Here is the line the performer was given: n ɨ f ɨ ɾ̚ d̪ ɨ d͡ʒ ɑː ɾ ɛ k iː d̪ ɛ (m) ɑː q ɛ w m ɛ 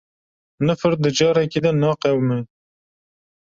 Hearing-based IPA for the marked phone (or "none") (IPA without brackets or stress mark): n